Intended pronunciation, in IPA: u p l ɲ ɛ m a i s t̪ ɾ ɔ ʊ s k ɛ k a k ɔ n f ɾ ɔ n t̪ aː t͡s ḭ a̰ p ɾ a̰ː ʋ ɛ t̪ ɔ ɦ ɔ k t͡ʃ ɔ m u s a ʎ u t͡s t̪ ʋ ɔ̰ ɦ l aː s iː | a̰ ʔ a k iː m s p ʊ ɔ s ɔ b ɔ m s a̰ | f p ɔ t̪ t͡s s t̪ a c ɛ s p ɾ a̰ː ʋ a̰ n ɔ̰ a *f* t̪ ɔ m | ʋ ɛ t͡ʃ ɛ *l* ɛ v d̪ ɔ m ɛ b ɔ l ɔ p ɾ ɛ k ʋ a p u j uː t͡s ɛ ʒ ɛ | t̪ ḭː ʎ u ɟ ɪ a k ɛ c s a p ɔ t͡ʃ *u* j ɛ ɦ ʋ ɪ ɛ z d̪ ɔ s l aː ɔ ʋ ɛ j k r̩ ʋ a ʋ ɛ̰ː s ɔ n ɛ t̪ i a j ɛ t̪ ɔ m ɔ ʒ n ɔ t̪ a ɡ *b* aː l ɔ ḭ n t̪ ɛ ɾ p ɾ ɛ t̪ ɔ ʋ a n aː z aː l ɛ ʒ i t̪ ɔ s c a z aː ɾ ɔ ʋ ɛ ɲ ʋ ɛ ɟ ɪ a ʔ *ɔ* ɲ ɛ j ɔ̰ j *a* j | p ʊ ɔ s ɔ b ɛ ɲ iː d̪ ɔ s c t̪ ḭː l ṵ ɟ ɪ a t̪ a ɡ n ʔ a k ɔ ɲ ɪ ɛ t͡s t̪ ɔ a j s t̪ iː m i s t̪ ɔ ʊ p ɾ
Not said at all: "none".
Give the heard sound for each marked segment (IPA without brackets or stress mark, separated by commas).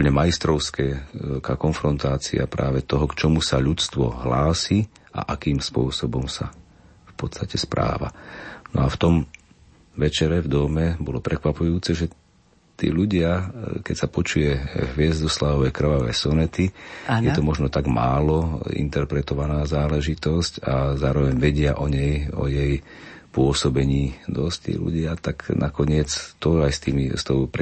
f, ɾ, u, m, ɔ, ɛ